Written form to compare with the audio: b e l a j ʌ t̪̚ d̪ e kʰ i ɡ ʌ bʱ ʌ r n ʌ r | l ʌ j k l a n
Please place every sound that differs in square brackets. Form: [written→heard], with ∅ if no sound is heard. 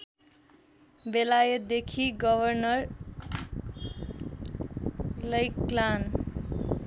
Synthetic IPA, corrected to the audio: b e l a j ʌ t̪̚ d̪ e kʰ i ɡ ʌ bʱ ʌ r n ʌ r | l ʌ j k l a n